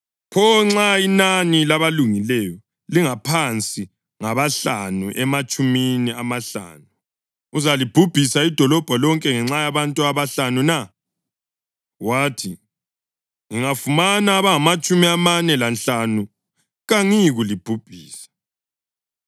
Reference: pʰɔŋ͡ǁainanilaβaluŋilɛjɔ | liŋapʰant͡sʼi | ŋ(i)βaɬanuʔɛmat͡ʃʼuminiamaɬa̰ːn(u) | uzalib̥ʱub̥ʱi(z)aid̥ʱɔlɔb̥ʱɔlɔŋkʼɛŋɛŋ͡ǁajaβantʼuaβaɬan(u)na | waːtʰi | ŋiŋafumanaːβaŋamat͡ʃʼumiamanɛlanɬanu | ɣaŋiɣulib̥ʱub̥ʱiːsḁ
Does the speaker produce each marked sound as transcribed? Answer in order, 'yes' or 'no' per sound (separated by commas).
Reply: no, yes, no, yes